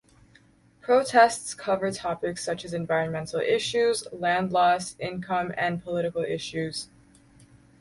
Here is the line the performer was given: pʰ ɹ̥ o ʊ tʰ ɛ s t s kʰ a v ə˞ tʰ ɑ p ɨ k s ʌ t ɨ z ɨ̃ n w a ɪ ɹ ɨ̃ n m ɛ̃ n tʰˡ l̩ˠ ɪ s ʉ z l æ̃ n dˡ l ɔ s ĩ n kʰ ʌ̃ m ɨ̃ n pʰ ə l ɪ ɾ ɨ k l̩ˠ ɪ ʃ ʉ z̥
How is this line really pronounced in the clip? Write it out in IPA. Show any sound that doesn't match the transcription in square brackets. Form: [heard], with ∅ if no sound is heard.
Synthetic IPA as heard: pʰ ɹ̥ o ʊ tʰ ɛ s t s kʰ [ʌ] v ə˞ tʰ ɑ p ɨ k s ʌ [t͡ʃ] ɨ z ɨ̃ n [v] a ɪ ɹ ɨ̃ n m ɛ̃ n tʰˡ l̩ˠ ɪ [ʃ] ʉ z l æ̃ n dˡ l ɔ s [ɪ̃] n kʰ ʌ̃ m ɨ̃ n pʰ ə l ɪ ɾ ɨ k l̩ˠ ɪ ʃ ʉ z̥